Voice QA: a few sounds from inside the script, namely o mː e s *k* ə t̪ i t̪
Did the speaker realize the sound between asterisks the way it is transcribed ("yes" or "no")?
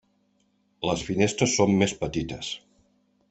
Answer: no